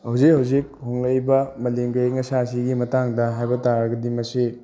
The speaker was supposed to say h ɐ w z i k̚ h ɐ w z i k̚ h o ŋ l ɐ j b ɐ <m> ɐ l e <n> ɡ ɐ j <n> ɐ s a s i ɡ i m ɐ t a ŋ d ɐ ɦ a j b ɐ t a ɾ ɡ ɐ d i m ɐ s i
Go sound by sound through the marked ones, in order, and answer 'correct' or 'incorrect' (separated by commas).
correct, incorrect, incorrect